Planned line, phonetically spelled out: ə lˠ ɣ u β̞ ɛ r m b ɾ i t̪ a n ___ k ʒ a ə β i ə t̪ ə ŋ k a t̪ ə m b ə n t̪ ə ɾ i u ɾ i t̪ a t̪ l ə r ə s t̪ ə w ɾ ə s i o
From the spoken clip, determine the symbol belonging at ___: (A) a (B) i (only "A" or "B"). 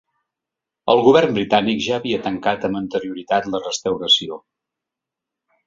B